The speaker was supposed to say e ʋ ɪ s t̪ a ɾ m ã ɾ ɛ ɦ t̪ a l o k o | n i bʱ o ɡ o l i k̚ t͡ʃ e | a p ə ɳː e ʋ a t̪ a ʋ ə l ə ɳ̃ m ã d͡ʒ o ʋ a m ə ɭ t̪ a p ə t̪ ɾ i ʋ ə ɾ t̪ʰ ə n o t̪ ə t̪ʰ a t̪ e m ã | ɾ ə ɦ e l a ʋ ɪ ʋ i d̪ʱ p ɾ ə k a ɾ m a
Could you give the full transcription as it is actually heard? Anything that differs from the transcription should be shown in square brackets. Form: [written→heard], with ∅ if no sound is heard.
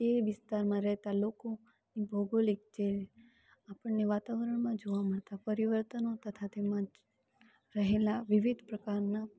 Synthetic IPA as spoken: e ʋ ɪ s t̪ a ɾ m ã ɾ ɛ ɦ t̪ a l o k o | n i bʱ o ɡ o l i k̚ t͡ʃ e | a p ə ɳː e ʋ a t̪ a ʋ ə [l→ɾ] ə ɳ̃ m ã d͡ʒ o ʋ a m ə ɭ t̪ a p ə [t̪→∅] ɾ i ʋ ə ɾ [t̪ʰ→t̪] ə n o t̪ ə t̪ʰ a t̪ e m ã | ɾ ə ɦ e l a ʋ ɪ ʋ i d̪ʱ p ɾ ə k a ɾ [m→n] a